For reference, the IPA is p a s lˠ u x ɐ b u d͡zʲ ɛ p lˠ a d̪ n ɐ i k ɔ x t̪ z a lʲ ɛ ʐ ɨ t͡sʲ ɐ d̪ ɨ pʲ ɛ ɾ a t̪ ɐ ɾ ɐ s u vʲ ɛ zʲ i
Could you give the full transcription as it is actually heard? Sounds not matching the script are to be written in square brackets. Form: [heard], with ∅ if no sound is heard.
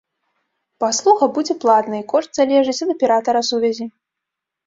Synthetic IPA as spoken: p a s lˠ u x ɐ b u d͡zʲ ɛ p lˠ a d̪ n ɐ i k ɔ [ʂ] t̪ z a lʲ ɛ ʐ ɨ t͡sʲ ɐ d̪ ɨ pʲ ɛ ɾ a t̪ ɐ ɾ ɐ s u vʲ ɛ zʲ i